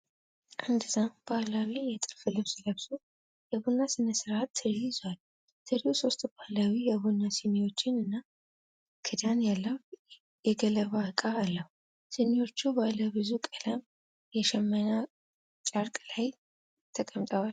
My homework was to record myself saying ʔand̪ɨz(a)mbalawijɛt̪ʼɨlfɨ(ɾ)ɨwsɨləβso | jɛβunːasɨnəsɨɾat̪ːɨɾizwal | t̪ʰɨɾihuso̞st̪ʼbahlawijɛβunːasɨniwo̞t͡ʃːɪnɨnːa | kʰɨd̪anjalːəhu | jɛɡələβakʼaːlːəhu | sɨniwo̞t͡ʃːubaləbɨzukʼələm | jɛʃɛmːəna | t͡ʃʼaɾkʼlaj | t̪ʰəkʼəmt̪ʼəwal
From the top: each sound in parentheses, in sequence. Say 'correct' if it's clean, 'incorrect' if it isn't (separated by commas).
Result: correct, incorrect